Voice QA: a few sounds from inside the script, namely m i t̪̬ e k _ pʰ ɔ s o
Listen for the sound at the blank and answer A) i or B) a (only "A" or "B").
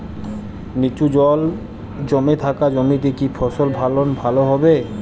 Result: A